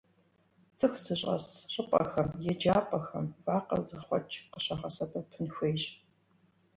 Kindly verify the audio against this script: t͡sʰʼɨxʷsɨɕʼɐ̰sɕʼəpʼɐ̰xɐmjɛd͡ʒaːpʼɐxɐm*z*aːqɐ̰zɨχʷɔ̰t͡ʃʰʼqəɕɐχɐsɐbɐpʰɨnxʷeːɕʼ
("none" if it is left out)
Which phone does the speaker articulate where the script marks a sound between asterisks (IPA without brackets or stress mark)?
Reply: v